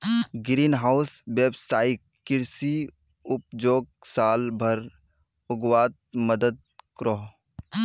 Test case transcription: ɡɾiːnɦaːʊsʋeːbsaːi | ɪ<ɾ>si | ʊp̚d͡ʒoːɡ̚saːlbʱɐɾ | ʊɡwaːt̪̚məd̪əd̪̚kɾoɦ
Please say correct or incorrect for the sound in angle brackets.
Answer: correct